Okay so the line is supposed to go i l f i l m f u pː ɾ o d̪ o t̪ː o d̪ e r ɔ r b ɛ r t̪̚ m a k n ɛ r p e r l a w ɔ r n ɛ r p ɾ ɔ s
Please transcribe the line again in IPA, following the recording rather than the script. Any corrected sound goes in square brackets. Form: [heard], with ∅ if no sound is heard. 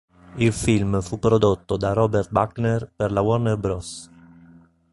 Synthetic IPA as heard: i l f i l m f u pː ɾ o d̪ o t̪ː o d̪ [a] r ɔ [∅] b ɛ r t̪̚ [b] a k n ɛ r p e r l a w ɔ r n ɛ r [b] ɾ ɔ s